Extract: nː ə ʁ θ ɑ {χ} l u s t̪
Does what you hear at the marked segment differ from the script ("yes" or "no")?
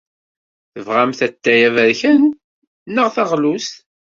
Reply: yes